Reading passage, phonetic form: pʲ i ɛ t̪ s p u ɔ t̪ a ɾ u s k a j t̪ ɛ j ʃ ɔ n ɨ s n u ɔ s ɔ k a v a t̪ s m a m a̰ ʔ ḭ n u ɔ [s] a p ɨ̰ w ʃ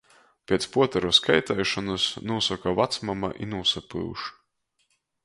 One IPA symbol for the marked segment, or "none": s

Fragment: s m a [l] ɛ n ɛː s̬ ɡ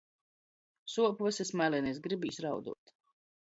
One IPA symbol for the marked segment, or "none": l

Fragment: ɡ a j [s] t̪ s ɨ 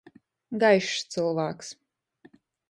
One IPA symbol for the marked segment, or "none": ʃ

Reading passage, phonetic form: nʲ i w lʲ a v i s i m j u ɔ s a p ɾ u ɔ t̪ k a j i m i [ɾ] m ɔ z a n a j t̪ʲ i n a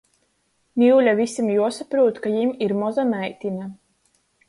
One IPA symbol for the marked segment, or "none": ɾ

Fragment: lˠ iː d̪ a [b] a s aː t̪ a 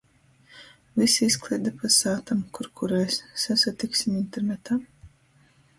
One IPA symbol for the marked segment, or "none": p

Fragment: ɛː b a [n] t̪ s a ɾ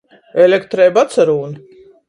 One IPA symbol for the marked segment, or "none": none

